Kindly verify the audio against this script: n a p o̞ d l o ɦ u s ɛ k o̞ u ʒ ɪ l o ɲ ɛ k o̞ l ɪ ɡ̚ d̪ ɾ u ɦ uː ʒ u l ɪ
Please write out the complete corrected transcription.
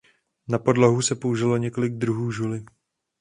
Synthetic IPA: n a p o̞ d l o ɦ u s ɛ p o̞ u ʒ ɪ l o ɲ ɛ k o̞ l ɪ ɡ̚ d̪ ɾ u ɦ uː ʒ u l ɪ